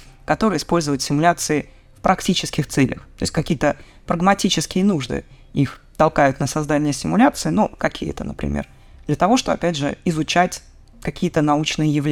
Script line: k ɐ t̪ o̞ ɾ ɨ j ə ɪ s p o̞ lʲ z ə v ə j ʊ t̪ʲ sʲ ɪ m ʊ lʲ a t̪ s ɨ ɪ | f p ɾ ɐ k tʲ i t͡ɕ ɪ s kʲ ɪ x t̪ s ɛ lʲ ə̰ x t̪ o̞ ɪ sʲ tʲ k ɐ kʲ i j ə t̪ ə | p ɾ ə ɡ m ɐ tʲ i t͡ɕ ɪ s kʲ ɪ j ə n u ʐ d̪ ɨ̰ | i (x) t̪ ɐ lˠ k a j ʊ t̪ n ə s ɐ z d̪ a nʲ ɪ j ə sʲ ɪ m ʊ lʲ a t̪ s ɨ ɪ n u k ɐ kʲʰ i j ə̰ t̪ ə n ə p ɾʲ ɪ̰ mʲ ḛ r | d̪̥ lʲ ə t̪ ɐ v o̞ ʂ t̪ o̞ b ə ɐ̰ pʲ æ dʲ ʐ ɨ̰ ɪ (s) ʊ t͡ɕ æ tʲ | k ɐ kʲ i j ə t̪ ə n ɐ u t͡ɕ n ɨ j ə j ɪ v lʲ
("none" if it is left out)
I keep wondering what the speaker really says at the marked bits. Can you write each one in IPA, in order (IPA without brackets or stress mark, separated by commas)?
x, z